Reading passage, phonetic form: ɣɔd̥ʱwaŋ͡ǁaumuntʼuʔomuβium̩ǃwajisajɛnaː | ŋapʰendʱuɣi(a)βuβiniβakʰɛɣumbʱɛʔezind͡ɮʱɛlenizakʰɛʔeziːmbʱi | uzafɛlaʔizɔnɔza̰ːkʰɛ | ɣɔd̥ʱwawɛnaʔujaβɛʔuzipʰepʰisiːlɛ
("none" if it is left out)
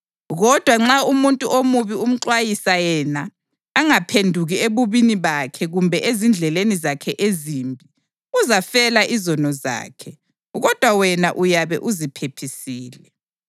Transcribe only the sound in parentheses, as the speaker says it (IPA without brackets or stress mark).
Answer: e